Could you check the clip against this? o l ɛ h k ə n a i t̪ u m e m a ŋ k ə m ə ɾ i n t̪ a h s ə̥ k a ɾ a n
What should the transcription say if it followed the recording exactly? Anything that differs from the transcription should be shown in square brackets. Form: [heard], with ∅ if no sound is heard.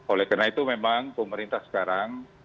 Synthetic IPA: o l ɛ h k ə n a i t̪ u m e m a ŋ [p] ə m ə ɾ i n t̪ a h s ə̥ k a ɾ a [ŋ]